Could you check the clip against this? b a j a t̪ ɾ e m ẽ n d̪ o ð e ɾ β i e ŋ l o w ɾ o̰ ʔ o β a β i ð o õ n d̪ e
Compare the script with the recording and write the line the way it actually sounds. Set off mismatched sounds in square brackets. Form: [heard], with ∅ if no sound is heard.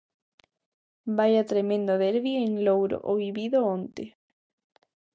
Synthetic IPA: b a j a t̪ ɾ e m ẽ n d̪ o ð e ɾ β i e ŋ l o w ɾ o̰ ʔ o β [i] β i ð o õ n [t̪] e